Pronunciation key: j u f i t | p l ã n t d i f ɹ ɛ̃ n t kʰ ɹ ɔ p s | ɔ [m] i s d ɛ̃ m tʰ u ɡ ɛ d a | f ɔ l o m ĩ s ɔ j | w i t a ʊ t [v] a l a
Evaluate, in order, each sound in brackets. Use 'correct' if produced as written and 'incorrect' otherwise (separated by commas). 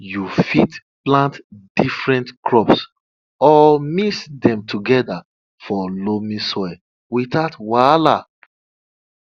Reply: correct, incorrect